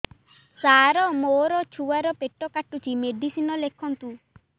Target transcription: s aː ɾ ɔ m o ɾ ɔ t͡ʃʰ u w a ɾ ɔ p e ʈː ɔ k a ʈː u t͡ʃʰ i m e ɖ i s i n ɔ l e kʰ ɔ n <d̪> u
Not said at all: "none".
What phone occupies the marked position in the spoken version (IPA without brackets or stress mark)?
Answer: t̪